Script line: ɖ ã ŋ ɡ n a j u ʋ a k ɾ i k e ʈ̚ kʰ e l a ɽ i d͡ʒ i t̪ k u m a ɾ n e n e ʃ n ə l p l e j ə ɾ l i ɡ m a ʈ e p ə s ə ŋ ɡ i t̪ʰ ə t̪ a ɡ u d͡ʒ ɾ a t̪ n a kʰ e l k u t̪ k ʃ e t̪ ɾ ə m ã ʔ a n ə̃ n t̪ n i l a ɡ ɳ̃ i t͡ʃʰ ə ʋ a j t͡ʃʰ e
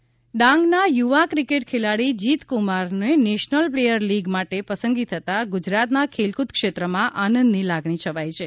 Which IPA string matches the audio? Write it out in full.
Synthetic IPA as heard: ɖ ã ŋ ɡ n a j u ʋ a k ɾ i k e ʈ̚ kʰ e l a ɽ i d͡ʒ i t̪ k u m a ɾ n e n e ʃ n ə l p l e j ə ɾ l i ɡ m a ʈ e p ə s ə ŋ ɡ i t̪ʰ ə t̪ a ɡ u d͡ʒ ɾ a t̪ n a kʰ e l k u t̪ k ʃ e t̪ ɾ ə m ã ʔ a n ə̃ n d̪ n i l a ɡ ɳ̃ i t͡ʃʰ ə ʋ a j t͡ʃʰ e